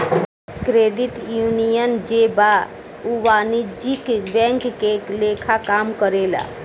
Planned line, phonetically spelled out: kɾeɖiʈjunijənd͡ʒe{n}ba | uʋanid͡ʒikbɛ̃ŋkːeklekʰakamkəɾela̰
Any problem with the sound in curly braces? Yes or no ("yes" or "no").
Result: yes